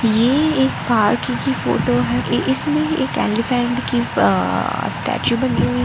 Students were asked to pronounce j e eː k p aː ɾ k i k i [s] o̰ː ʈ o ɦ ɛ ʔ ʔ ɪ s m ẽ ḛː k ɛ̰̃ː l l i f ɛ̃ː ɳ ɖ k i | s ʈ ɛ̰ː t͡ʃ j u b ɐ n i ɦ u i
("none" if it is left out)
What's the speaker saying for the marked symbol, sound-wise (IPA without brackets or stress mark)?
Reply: f